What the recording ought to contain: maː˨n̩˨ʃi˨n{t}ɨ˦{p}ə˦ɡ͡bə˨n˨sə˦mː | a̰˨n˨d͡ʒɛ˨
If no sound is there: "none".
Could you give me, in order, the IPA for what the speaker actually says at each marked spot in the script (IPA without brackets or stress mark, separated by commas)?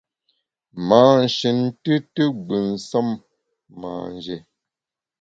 t, t